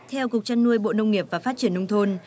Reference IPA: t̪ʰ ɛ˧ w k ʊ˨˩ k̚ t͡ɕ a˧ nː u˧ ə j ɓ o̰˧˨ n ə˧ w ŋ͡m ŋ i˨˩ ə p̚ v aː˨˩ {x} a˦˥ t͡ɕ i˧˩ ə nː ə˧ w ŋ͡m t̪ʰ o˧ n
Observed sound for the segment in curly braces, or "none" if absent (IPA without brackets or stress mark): f